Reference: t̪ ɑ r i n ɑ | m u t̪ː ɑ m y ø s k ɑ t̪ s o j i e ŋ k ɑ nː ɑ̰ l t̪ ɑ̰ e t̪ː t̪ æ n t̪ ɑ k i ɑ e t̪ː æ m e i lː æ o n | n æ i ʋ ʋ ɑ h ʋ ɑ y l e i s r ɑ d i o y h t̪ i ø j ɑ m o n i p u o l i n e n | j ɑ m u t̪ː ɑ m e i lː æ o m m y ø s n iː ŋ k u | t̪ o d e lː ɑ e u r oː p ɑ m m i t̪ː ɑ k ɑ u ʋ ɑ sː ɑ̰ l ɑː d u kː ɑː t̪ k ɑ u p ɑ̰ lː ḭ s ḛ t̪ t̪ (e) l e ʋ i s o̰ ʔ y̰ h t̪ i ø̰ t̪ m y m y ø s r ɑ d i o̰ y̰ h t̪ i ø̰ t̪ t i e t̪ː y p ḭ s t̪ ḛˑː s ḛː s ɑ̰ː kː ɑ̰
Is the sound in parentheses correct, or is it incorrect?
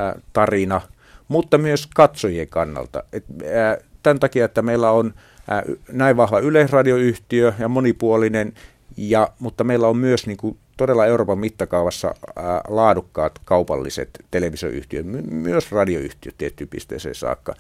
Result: correct